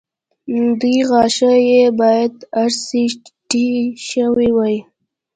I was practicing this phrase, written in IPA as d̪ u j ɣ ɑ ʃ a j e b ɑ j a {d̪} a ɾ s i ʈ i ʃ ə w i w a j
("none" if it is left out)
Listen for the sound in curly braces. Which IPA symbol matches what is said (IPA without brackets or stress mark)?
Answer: d̪